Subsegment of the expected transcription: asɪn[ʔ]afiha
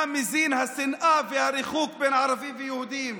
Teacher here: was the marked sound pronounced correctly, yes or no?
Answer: yes